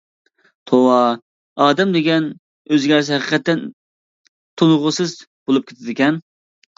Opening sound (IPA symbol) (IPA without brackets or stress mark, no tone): t̪ʰ